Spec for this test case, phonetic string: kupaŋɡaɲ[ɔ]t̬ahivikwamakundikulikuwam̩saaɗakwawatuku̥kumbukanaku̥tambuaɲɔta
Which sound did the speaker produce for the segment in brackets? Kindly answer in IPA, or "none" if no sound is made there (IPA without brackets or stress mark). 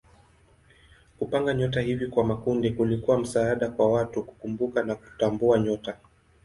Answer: ɔ